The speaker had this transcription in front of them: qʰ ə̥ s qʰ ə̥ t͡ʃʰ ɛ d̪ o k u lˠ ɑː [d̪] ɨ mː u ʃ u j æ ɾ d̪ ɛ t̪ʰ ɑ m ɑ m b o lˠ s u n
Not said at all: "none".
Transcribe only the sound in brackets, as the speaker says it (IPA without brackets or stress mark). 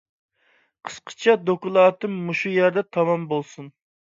t̪